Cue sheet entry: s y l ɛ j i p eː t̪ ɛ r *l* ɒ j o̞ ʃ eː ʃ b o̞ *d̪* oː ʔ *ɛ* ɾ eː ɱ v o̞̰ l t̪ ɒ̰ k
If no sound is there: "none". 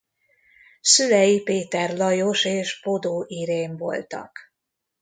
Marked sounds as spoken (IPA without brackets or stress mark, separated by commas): l, d̪, i